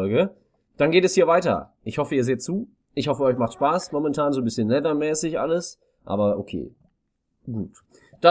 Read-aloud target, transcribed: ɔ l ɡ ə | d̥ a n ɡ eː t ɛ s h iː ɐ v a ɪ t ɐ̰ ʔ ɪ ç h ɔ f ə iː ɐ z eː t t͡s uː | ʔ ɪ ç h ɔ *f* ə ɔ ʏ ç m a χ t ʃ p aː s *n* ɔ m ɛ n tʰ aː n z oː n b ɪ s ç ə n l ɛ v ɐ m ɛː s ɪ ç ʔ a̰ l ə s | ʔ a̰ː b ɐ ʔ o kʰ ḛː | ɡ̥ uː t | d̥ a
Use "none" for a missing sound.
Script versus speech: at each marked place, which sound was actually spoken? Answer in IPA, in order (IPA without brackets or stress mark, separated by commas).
f, m